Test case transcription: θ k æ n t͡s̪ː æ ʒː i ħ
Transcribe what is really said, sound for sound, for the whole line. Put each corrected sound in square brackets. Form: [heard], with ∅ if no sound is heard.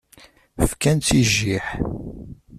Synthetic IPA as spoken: [f] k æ n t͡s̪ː [i] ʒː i ħ